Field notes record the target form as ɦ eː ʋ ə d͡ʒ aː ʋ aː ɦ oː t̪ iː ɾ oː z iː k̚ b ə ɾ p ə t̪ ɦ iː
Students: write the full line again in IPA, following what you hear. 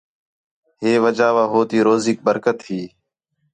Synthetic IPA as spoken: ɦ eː ʋ ə d͡ʒ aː ʋ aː ɦ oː t̪ iː ɾ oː z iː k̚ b ə ɾ k ə t̪ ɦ iː